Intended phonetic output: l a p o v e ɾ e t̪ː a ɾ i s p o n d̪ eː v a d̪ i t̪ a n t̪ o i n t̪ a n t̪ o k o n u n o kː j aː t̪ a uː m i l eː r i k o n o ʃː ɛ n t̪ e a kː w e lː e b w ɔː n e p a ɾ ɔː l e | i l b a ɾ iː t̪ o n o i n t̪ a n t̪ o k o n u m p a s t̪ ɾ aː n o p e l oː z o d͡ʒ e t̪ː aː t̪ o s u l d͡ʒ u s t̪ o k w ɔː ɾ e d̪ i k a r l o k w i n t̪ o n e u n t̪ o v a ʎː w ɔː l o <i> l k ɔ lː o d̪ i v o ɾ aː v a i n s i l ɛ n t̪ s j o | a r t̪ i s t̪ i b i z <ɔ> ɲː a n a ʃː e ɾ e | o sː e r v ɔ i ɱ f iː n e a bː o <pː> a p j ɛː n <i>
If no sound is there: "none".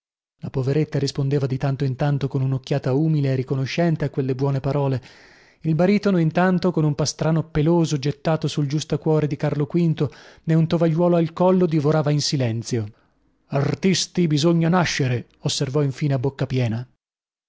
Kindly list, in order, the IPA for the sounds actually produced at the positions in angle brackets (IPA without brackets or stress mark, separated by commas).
a, o, kː, a